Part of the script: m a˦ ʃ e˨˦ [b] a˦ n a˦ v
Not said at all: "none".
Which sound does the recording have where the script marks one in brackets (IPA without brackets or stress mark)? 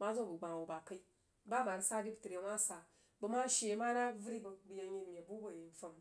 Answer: m